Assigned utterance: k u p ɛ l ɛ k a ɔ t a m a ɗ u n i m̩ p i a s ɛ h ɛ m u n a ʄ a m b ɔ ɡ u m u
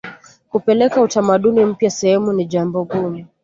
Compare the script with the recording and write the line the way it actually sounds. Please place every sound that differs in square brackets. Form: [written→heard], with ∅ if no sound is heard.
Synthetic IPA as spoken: k u p ɛ l ɛ k a [ɔ→u] t a m a ɗ u n i m̩ p [i→j] a s ɛ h ɛ m u n [a→i] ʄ a m b ɔ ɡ u m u